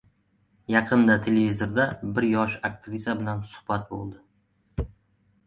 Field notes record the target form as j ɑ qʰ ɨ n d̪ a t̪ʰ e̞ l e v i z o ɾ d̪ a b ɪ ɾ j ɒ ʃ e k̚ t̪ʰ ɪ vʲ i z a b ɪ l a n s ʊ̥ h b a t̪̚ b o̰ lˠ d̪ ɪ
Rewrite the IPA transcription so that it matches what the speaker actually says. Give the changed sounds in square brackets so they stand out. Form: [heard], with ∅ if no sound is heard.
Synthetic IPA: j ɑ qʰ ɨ n d̪ a t̪ʰ e̞ l e v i z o ɾ d̪ a b ɪ ɾ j ɒ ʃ [a] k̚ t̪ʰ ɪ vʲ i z a b ɪ l a n s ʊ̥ h b a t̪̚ b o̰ lˠ d̪ ɪ

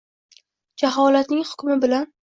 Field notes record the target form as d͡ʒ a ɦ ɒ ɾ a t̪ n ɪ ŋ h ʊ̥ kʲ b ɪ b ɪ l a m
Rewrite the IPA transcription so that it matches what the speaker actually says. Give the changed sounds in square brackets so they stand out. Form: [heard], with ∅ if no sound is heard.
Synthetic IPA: d͡ʒ a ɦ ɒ [l] a t̪ n ɪ ŋ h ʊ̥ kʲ [m] ɪ b ɪ l a [n]

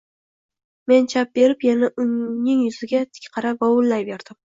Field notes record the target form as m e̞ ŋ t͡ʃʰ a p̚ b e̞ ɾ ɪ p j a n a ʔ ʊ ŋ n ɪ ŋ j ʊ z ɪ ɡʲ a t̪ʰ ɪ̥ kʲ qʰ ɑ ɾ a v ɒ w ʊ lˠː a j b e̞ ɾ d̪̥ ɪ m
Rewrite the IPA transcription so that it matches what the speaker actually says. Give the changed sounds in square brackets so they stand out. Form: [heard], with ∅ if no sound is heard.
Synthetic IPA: m e̞ [n] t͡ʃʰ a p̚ b e̞ ɾ ɪ p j a n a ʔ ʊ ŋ n ɪ ŋ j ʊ z ɪ ɡʲ a t̪ʰ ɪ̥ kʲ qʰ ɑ ɾ a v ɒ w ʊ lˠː a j b e̞ ɾ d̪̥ ɪ m

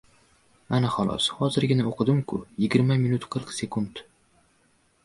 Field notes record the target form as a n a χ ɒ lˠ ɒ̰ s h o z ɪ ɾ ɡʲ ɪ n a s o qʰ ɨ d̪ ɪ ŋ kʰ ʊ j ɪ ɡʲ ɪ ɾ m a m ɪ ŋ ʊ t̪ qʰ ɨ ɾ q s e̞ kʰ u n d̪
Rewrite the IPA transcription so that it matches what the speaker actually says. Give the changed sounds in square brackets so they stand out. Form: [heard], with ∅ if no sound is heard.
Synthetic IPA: a n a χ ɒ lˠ ɒ̰ s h [ɒ] z ɪ ɾ ɡʲ ɪ n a [∅] o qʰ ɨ d̪ ɪ [m] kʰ ʊ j ɪ ɡʲ ɪ ɾ m a m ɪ [n] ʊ t̪ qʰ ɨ ɾ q s e̞ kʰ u n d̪

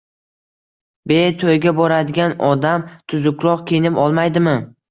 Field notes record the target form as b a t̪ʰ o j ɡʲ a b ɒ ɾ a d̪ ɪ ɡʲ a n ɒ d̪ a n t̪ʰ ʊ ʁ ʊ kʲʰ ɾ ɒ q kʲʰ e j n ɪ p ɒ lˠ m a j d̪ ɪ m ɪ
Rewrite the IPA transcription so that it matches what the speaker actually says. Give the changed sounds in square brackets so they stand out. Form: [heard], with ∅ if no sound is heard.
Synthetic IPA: b [e] t̪ʰ o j ɡʲ a b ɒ ɾ a d̪ ɪ ɡʲ a n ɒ d̪ a [m] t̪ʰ ʊ [z] ʊ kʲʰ ɾ ɒ q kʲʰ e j n ɪ p ɒ lˠ m a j d̪ ɪ m ɪ

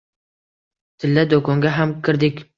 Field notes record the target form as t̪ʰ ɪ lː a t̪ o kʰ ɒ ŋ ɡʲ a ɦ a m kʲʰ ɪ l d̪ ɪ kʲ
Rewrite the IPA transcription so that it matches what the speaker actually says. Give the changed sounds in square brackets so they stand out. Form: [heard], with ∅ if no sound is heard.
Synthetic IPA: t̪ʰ ɪ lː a [d̪] o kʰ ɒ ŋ ɡʲ a ɦ a m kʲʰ ɪ [ɾ] d̪ ɪ kʲ

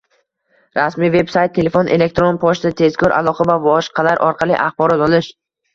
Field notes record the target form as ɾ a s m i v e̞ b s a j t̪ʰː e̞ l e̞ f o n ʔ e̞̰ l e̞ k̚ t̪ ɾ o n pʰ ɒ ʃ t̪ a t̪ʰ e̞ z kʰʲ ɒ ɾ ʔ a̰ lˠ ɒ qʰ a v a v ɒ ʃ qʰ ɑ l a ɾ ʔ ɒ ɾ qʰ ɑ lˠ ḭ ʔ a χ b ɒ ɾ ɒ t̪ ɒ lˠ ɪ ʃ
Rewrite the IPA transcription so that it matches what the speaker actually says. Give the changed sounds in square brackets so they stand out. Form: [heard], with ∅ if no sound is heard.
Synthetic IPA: ɾ a s m i v e̞ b s a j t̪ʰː e̞ l e̞ f o n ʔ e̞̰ l e̞ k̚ t̪ ɾ o n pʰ ɒ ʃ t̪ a t̪ʰ e̞ z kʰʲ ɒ ɾ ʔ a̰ lˠ ɒ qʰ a v a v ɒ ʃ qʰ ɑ l a ɾ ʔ ɒ ɾ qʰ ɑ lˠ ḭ ʔ a χ b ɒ ɾ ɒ t̪ ɒ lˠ ɪ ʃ

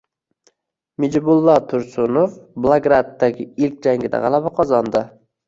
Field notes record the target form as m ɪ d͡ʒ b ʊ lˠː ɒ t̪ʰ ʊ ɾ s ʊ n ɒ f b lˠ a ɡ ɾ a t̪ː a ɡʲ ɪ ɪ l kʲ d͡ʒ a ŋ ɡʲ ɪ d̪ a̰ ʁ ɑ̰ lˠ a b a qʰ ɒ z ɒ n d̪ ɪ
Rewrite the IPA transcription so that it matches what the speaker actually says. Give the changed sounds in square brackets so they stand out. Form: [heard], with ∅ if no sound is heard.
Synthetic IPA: m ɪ d͡ʒ b ʊ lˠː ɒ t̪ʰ ʊ ɾ s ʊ n [o] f b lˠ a ɡ ɾ a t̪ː a ɡʲ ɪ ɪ l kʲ d͡ʒ a ŋ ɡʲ ɪ d̪ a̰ ʁ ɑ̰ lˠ a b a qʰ ɒ z ɒ n d̪ ɪ

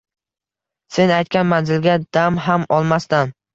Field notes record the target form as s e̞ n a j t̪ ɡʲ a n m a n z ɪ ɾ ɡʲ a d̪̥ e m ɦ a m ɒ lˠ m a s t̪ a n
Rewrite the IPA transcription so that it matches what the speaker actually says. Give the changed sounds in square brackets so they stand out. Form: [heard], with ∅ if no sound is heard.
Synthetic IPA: s e̞ n a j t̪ [kʲ] a n m a n z ɪ [l] ɡʲ a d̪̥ [a] m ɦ a m ɒ lˠ m a s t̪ a n

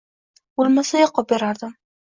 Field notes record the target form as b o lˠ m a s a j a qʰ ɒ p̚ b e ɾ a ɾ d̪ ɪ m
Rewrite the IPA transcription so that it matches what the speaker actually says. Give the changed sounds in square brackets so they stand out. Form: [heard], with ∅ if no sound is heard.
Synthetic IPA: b o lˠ m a s a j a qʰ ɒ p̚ b e ɾ a ɾ d̪ ɪ m

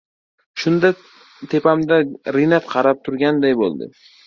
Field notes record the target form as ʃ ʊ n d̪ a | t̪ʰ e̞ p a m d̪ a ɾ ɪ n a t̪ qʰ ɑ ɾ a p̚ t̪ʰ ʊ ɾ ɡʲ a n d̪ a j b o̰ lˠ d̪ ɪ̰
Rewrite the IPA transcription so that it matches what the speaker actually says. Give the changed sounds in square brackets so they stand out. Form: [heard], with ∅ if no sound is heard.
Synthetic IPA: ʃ ʊ n d̪ a | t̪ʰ e̞ p a m d̪ a ɾ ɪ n a t̪ qʰ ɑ ɾ a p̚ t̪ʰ ʊ ɾ ɡʲ a n d̪ a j b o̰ lˠ d̪ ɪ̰

